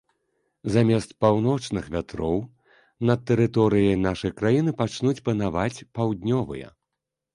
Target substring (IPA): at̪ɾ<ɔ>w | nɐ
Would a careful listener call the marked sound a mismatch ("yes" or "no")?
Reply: no